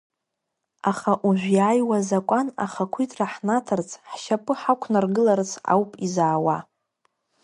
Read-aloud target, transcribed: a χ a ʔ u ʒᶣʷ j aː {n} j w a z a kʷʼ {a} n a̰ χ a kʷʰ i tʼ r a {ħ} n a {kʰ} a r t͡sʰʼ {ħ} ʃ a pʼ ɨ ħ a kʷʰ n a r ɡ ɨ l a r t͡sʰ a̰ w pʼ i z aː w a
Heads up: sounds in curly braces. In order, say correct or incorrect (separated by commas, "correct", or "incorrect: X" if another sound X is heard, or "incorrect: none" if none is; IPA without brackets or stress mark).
incorrect: none, correct, correct, incorrect: tʰ, correct